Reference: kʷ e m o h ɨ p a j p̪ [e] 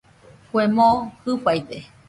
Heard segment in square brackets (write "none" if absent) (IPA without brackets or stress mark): e